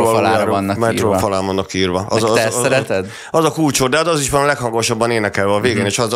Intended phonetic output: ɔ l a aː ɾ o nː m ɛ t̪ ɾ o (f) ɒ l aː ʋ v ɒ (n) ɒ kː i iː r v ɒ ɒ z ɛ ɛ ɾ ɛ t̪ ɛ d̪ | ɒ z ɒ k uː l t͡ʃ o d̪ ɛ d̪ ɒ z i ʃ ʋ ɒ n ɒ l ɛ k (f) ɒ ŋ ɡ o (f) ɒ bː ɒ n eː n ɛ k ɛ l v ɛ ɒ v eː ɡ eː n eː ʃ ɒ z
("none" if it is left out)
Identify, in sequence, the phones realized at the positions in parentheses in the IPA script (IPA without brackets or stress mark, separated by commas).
f, nː, h, ʃ